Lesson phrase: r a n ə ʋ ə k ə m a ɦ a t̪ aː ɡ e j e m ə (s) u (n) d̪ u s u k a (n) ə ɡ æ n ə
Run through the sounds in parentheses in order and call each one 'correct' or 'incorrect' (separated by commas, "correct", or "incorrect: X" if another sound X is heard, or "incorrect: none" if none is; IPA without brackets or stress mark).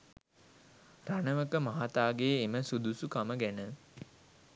correct, incorrect: none, incorrect: m